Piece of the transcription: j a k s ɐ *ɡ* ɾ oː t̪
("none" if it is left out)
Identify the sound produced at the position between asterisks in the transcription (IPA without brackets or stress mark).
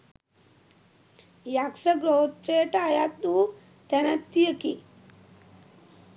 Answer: ɡ